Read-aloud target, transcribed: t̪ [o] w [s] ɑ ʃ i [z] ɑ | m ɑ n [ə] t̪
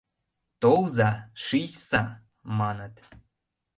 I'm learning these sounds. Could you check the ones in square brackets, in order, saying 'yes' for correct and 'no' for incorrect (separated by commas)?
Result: yes, no, no, yes